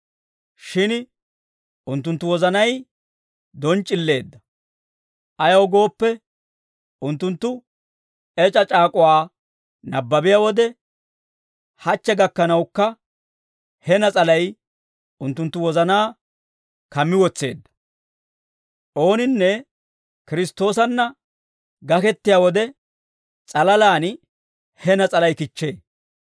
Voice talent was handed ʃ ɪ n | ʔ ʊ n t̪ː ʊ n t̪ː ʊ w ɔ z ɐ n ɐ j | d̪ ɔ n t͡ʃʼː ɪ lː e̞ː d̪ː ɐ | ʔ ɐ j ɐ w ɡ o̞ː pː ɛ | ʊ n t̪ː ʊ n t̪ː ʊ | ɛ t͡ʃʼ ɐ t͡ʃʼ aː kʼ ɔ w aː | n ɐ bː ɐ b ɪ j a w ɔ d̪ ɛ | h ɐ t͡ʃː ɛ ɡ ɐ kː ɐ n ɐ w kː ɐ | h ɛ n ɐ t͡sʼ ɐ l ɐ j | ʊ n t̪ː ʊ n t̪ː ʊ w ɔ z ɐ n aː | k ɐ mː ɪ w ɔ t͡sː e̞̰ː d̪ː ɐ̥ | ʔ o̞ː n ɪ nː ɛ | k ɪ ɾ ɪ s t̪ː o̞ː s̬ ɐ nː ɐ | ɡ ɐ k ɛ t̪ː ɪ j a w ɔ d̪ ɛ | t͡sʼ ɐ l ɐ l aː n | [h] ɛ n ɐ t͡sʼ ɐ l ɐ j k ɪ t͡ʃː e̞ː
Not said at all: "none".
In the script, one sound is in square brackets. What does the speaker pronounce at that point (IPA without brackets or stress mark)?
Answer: h